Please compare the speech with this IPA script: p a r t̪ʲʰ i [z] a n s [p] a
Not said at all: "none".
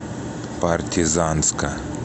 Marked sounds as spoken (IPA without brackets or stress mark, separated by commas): z, k